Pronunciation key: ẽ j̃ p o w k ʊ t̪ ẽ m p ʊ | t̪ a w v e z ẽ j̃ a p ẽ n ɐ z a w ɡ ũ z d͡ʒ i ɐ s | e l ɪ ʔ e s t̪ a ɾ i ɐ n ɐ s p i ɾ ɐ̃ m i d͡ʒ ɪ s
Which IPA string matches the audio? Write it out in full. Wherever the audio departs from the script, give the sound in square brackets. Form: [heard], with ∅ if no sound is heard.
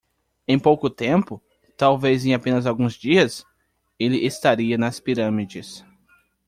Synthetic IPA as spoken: ẽ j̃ p o w k ʊ t̪ ẽ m p ʊ | t̪ a w v e z ẽ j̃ a p ẽ n ɐ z a w ɡ ũ z d͡ʒ i ɐ s | e l ɪ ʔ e s t̪ a ɾ i ɐ n ɐ s p i ɾ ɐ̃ m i d͡ʒ ɪ s

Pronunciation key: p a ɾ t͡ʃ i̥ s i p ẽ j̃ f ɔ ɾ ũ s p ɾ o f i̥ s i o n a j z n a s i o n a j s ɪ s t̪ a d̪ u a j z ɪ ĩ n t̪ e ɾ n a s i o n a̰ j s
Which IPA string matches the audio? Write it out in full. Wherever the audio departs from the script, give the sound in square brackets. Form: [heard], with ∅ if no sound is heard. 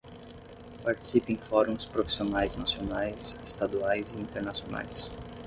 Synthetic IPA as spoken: p a ɾ t͡ʃ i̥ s i p ẽ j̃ f ɔ ɾ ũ s p ɾ o f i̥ s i o n a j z n a s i o n a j s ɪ s t̪ a d̪ u a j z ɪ ĩ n t̪ e ɾ n a s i o n a̰ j s

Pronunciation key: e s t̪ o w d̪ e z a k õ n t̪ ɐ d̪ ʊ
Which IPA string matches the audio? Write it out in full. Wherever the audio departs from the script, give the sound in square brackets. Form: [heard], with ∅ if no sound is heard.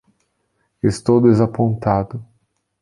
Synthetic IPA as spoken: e s t̪ o w d̪ e z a [p] õ n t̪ [a] d̪ ʊ

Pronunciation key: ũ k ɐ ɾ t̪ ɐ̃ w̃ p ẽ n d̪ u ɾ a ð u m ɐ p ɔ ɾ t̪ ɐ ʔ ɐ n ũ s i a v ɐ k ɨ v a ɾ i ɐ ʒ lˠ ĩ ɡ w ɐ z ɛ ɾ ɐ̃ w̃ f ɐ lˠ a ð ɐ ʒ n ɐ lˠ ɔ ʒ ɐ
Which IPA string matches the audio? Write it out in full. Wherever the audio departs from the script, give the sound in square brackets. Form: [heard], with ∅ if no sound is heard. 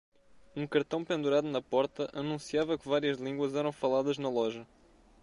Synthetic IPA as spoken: ũ k ɐ ɾ t̪ ɐ̃ w̃ p ẽ n d̪ u ɾ a ð u [n] ɐ p ɔ ɾ t̪ ɐ ʔ ɐ n ũ s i a v ɐ k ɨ v a ɾ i ɐ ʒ lˠ ĩ ɡ w ɐ z ɛ ɾ ɐ̃ w̃ f ɐ lˠ a ð ɐ ʒ n ɐ lˠ ɔ ʒ ɐ

